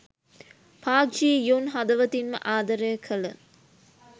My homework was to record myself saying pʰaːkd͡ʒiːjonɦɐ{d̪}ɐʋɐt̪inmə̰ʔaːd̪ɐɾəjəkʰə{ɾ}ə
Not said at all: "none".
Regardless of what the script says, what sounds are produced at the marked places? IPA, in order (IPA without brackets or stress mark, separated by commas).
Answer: d̪, l